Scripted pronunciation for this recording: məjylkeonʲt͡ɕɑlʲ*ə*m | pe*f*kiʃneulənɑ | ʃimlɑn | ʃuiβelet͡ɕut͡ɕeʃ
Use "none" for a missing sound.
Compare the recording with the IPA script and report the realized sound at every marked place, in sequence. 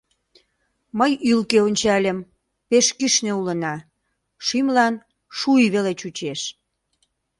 ə, ʃ

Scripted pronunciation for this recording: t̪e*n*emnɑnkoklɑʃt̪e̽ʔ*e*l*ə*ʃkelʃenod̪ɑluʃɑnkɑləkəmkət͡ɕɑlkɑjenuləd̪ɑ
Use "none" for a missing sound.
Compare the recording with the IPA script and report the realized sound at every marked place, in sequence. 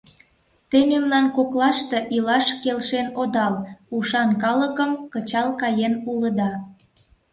m, i, ɑ

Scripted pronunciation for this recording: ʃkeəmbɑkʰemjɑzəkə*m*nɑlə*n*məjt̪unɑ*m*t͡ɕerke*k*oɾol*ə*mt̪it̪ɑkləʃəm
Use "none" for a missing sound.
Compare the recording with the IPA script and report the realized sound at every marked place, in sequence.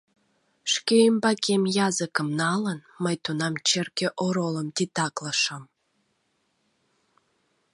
m, n, m, ʔ, ə

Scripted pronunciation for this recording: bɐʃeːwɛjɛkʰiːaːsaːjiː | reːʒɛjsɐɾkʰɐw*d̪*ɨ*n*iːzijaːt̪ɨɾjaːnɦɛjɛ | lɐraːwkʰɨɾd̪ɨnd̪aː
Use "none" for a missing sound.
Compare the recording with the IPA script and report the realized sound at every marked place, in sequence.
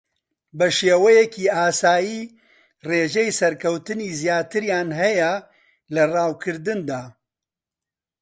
t̪, n

